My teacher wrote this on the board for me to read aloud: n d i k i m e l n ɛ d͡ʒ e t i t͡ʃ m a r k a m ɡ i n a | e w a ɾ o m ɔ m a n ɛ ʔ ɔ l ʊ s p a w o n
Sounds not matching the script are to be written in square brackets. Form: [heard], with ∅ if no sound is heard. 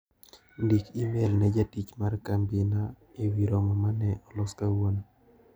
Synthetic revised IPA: n d i k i m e l n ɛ d͡ʒ [a] t i t͡ʃ m a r k a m [b] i n a | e w [i] ɾ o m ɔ m a n ɛ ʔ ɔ l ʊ s [k] a w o n